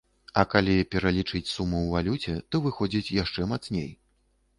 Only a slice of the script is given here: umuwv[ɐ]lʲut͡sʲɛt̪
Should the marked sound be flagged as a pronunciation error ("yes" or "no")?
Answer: yes